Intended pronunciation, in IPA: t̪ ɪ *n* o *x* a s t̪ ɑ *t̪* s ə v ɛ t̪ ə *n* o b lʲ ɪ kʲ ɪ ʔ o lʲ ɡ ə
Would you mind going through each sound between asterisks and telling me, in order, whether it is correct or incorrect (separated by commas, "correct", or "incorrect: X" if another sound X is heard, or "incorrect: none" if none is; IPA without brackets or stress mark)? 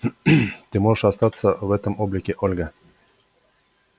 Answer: incorrect: m, incorrect: ʂ, correct, incorrect: m